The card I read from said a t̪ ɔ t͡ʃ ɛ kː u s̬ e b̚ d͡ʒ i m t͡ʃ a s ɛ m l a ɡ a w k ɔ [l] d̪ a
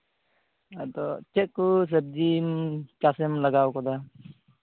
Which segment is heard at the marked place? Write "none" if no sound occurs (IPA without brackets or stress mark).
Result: none